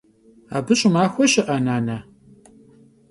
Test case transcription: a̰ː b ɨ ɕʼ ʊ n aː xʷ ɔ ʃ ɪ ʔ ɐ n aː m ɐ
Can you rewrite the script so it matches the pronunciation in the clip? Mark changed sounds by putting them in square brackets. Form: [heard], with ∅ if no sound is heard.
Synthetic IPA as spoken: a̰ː b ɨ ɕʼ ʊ [m] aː xʷ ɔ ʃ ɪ ʔ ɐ n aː [n] ɐ